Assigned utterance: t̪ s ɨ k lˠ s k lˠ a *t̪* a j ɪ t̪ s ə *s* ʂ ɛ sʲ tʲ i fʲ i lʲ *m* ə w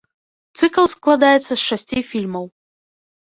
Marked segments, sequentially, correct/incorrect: incorrect, correct, correct

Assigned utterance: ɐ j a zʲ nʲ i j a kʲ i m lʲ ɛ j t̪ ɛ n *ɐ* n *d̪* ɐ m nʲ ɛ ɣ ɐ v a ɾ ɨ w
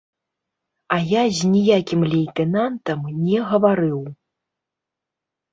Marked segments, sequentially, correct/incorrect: incorrect, incorrect

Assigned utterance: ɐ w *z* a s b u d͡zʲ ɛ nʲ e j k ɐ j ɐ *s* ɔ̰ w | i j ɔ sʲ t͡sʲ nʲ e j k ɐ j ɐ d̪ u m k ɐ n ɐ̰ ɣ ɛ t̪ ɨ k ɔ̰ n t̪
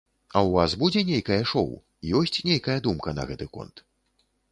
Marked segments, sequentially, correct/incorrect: incorrect, incorrect

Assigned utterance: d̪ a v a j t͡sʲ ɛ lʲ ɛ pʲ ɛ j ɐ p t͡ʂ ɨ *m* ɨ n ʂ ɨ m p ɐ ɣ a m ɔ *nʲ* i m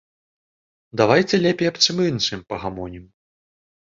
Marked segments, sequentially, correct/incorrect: correct, correct

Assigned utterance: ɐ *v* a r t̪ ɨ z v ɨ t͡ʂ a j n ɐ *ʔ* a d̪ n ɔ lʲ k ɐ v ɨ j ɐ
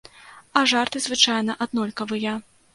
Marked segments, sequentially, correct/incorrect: incorrect, correct

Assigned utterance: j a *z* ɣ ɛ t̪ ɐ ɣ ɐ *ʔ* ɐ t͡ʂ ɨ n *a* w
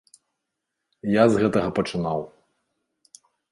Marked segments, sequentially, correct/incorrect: correct, incorrect, correct

